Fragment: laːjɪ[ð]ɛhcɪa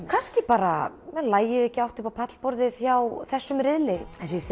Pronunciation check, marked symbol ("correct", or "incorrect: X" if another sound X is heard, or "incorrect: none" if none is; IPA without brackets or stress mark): correct